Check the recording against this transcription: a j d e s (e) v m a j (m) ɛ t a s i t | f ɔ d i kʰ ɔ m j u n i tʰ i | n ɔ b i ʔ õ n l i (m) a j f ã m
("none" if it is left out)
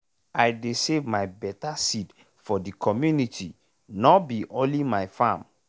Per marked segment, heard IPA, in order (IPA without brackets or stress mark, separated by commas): e, b, m